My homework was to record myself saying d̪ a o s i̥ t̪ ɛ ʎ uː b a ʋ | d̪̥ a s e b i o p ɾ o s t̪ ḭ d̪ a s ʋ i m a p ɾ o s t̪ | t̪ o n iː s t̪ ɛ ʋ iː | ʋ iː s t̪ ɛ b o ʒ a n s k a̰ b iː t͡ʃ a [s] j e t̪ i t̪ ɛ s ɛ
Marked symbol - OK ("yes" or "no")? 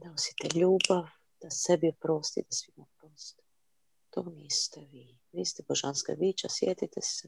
yes